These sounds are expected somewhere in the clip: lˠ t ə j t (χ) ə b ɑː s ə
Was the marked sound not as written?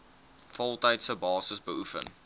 yes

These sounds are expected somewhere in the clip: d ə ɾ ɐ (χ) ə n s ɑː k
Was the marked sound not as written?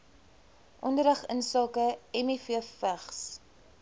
no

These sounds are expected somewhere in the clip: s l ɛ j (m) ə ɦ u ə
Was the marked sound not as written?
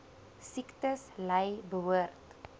yes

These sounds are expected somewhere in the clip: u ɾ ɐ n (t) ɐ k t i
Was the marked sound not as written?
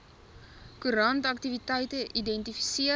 no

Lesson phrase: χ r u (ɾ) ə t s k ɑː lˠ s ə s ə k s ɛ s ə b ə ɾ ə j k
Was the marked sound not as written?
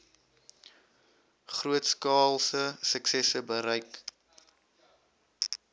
yes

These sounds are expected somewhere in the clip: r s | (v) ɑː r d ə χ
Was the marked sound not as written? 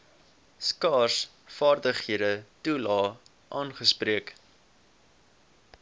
yes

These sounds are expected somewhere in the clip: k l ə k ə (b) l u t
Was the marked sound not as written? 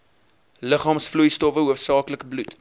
no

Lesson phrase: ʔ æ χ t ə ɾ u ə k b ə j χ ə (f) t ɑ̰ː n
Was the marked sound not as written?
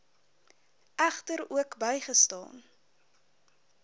yes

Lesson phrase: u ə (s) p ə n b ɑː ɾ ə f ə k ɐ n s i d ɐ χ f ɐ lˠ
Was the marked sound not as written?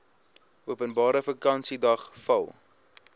yes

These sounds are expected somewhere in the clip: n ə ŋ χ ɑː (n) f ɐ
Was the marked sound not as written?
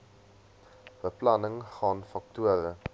no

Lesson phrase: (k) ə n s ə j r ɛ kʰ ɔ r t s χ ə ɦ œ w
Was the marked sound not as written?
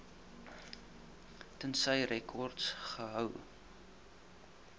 yes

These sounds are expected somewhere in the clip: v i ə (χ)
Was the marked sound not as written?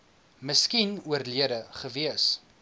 yes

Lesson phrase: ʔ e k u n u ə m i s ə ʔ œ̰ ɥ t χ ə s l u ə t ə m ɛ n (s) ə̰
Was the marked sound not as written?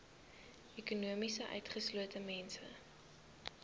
no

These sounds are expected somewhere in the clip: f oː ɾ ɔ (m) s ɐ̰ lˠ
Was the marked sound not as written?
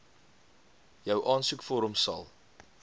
no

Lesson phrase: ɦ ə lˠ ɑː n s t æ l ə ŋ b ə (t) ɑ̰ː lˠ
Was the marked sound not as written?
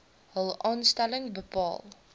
yes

